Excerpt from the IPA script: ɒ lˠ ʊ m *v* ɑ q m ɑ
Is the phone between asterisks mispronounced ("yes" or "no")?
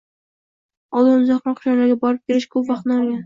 yes